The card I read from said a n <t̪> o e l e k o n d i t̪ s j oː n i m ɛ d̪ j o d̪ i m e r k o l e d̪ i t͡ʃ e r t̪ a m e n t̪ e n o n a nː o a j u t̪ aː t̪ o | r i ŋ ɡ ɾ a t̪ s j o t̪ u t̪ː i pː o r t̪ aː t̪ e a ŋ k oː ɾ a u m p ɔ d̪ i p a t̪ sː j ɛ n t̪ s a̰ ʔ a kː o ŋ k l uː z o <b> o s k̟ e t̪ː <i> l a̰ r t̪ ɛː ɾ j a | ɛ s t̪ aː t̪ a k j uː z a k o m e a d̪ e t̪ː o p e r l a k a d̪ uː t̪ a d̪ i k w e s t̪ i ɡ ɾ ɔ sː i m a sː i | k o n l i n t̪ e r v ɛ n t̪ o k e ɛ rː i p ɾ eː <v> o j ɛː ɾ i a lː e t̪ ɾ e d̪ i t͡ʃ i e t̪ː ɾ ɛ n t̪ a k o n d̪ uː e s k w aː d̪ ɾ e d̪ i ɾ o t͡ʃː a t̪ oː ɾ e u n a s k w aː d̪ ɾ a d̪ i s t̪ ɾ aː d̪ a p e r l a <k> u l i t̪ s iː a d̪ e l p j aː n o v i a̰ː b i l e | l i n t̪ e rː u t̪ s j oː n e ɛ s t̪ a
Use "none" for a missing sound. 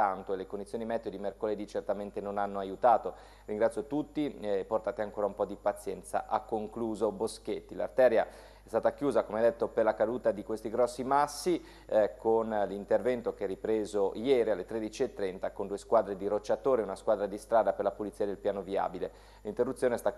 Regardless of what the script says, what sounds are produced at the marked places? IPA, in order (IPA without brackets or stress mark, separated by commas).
t̪, b, i, z, p